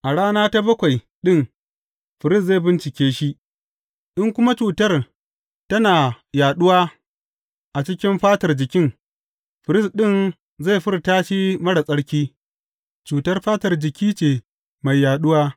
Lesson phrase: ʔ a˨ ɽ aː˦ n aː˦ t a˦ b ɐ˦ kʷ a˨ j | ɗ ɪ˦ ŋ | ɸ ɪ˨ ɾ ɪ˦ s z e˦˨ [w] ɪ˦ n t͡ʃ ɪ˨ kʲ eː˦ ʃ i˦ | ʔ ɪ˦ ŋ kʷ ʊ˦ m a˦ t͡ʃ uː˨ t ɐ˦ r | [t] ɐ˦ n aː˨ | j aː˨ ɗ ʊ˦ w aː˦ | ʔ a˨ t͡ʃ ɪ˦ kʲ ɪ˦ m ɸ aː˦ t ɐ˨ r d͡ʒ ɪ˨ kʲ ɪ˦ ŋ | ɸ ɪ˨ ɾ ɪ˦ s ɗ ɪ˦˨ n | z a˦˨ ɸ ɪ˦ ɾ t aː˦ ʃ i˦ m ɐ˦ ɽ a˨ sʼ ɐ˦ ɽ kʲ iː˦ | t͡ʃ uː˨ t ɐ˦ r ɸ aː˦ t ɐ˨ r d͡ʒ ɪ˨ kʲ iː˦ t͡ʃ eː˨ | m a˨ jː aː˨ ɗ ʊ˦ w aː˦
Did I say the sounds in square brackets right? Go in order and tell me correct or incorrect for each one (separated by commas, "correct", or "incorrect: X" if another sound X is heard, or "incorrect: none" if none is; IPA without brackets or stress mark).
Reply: incorrect: b, correct